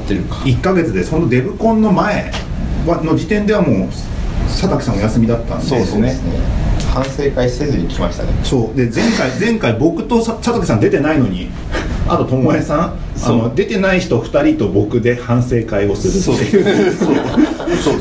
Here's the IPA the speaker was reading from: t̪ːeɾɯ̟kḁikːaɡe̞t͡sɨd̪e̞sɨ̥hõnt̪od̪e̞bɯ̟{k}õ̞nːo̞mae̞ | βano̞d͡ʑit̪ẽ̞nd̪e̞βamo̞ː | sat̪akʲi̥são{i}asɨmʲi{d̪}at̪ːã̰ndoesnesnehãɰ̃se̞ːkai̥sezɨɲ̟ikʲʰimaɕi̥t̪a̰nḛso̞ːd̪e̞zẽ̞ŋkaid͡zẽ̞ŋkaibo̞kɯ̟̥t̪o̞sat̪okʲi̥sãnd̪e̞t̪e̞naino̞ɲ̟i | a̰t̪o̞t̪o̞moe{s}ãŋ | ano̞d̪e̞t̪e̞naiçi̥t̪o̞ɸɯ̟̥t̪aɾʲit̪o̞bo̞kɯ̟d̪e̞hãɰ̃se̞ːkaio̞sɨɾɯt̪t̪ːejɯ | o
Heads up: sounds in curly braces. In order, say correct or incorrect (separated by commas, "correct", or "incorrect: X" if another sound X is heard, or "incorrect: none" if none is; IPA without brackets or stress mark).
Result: correct, incorrect: j, correct, correct